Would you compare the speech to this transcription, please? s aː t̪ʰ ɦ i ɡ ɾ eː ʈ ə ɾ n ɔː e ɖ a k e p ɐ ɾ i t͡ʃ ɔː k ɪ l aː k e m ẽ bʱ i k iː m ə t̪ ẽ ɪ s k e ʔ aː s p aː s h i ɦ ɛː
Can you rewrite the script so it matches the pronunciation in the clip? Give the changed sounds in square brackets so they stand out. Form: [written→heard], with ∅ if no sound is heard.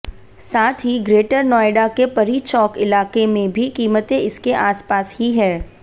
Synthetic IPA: s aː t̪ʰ ɦ i ɡ ɾ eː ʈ ə ɾ n ɔː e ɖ a k e p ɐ ɾ i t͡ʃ ɔː k ɪ l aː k e m ẽ bʱ i k iː m ə t̪ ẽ ɪ s k e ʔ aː s p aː s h i ɦ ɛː